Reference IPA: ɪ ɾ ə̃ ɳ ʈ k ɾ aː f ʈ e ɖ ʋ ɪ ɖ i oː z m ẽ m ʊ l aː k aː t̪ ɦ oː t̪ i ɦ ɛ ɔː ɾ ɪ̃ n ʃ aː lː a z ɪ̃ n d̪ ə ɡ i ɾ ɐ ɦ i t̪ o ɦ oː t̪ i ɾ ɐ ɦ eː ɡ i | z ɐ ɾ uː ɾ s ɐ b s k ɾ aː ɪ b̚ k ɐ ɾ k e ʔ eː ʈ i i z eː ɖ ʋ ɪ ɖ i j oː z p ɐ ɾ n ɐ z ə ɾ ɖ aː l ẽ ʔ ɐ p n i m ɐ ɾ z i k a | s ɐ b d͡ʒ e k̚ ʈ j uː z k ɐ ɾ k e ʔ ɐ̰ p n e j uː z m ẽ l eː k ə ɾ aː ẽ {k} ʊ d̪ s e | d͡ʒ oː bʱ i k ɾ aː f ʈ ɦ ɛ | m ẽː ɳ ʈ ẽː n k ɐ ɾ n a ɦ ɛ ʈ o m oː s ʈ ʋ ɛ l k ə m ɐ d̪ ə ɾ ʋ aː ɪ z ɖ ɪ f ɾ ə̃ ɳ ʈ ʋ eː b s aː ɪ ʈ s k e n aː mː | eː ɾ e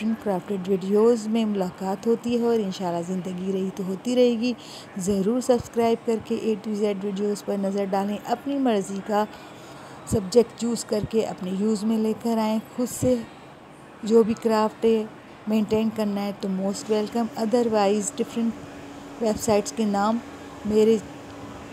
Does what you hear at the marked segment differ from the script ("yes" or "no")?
yes